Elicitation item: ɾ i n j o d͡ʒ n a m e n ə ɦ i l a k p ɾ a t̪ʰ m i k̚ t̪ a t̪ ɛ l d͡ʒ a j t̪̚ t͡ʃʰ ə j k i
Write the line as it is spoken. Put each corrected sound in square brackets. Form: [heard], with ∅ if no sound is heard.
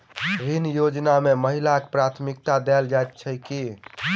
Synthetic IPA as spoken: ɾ i n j o d͡ʒ n a m e [m] ə ɦ i l a k p ɾ a t̪ʰ m i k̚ t̪ a [d̪] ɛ l d͡ʒ a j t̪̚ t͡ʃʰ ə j k i

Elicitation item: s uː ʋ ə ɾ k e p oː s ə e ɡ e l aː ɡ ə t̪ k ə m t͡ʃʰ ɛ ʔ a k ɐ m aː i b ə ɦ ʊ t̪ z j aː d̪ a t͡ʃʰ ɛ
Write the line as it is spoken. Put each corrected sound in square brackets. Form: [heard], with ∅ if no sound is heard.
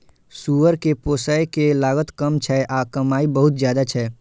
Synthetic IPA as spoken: s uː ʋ ə ɾ k e p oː s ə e [k] e l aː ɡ ə t̪ k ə m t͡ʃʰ ɛ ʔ a k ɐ m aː i b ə ɦ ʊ t̪ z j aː d̪ a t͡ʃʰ ɛ

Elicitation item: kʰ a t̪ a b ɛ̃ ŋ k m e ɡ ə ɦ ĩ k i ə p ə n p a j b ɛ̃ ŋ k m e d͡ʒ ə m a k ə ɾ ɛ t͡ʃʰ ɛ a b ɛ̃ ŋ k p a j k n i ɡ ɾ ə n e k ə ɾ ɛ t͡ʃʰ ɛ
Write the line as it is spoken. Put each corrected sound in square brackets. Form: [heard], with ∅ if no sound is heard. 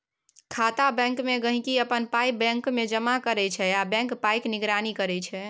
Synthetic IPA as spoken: kʰ a t̪ a b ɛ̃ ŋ k m e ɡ ə ɦ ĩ k i ə p ə n p a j b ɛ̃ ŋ k m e d͡ʒ ə m a k ə ɾ ɛ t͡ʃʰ ɛ a b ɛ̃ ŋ k p a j k n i ɡ ɾ [a] n [i] k ə ɾ ɛ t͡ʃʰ ɛ

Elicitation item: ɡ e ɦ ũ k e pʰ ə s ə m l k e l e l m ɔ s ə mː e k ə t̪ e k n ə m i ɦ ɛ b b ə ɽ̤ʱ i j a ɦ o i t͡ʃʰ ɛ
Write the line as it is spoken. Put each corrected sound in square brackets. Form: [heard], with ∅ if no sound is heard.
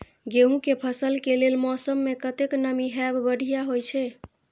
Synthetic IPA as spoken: ɡ e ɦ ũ k e pʰ ə s ə [∅] l k e l e l m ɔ s ə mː e k ə t̪ e k n ə m i ɦ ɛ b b ə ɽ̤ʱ i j a ɦ o [j] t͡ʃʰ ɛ

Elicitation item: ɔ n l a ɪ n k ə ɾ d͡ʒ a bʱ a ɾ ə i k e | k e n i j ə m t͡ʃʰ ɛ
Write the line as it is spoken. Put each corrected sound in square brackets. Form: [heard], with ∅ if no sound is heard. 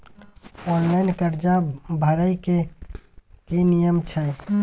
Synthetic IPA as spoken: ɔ n l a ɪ n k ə ɾ d͡ʒ a bʱ [ə] ɾ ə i k e | k e n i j ə m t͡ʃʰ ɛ

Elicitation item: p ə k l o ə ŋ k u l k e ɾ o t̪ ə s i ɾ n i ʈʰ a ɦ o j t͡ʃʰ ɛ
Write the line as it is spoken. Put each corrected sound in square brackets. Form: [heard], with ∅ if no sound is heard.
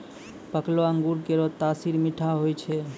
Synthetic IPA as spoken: p ə k l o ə ŋ [ɡ] u [ɾ] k e ɾ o t̪ [a] s i ɾ [m] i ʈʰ a ɦ o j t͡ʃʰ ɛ

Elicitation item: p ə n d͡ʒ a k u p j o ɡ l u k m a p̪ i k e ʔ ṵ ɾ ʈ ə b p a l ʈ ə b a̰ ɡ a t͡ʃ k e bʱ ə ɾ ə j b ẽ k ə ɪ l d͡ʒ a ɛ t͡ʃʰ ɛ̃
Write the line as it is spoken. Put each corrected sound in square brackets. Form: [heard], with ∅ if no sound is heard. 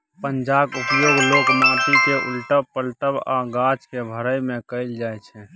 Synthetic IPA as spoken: p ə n d͡ʒ a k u p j o ɡ l [o] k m a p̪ i k e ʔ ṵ [l] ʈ ə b p [ə] l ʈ ə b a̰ ɡ a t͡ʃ k e bʱ ə ɾ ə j [m] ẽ k ə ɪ l d͡ʒ a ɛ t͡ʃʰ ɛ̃

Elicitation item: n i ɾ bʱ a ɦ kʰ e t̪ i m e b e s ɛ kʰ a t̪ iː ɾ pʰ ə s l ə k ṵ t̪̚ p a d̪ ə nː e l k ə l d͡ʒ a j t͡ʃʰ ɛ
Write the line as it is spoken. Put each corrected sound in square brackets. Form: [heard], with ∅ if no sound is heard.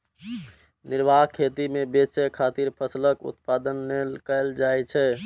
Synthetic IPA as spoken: n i ɾ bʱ a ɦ kʰ e t̪ i m e b e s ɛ kʰ a t̪ [i] ɾ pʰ ə s l ə k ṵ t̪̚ p a d̪ ə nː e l k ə l d͡ʒ a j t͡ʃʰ ɛ

